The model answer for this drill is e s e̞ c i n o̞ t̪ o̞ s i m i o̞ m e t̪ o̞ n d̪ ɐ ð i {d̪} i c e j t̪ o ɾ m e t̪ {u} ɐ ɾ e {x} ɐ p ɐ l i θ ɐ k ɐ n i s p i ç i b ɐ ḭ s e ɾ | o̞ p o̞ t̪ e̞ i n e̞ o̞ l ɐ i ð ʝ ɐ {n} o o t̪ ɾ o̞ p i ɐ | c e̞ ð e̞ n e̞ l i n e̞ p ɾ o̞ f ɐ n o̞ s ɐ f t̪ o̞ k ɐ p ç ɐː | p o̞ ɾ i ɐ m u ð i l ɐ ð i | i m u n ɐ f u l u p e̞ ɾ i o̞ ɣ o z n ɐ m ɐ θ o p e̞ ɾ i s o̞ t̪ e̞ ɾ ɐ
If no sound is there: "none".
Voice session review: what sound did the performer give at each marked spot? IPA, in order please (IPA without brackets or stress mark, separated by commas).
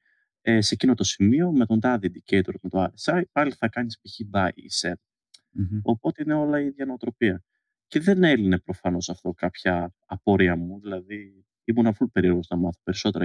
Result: d̪, o, s, n